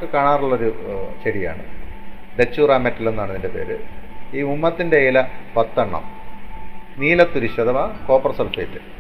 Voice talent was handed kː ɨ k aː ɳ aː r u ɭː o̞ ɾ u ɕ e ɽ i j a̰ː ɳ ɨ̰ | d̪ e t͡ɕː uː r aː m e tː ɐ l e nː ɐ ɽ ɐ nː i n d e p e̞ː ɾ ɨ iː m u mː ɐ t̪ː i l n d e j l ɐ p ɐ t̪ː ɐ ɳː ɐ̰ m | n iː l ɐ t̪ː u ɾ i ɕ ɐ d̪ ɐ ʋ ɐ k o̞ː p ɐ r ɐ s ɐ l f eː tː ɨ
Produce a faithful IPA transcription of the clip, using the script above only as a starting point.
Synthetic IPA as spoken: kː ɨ k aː ɳ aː r u ɭː o̞ ɾ u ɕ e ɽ i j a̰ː ɳ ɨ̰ | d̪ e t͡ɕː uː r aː m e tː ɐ l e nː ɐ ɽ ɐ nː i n d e p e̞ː ɾ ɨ iː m u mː ɐ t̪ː i n d e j l ɐ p ɐ t̪ː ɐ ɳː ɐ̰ m | n iː l ɐ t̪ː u ɾ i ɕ ɐ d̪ ɐ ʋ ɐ k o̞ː p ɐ r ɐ s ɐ l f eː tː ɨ